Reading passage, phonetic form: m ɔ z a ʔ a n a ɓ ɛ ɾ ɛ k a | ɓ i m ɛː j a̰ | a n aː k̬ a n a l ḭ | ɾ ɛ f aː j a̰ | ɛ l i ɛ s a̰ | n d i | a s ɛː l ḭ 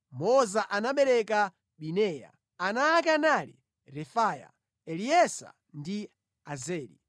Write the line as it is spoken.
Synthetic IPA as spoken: m ɔ z a ʔ a n a ɓ ɛ ɾ ɛ k a | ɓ i n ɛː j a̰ | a n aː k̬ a n a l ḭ | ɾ ɛ f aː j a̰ | ɛ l i ɛ s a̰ | n d i | a z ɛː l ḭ